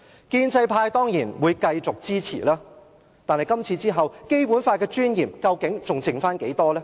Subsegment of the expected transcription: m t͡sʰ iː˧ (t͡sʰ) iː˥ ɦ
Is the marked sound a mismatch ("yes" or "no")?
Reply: yes